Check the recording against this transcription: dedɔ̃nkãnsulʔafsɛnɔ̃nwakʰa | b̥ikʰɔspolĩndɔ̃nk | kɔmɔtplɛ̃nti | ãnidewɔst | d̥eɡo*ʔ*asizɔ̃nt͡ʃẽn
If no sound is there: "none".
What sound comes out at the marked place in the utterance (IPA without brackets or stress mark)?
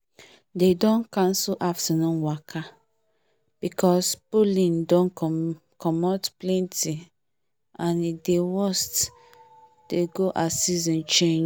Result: ʔ